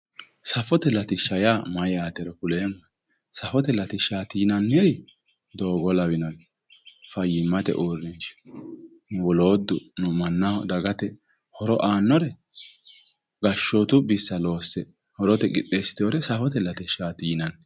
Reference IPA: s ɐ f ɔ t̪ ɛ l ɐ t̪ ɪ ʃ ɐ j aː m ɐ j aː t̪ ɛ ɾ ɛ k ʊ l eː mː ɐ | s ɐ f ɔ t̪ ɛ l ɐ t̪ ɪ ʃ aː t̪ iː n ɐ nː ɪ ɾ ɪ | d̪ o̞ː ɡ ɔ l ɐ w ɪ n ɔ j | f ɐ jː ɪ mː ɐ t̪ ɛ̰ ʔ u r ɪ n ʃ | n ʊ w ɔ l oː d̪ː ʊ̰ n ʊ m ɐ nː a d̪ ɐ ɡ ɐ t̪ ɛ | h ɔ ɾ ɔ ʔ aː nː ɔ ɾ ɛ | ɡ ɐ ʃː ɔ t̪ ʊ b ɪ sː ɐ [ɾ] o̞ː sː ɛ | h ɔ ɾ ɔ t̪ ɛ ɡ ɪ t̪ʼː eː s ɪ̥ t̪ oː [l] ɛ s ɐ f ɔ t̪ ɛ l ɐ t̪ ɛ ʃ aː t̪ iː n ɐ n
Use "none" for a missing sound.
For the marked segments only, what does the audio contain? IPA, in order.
l, ɾ

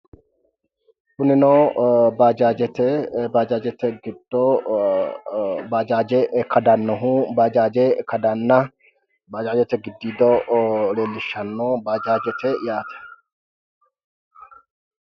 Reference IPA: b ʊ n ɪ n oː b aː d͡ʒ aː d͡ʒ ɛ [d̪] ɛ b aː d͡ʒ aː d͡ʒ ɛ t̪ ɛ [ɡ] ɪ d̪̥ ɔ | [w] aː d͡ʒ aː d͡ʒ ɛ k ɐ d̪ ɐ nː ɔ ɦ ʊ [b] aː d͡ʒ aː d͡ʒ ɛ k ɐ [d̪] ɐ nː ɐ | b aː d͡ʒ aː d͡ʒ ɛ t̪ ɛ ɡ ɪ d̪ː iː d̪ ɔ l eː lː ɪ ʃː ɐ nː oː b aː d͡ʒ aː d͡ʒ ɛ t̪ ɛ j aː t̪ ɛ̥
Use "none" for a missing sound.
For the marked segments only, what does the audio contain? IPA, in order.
t̪, ɡ, b, b, d̪

